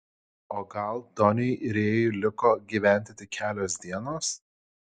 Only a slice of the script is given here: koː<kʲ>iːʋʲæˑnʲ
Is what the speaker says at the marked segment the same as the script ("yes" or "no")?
no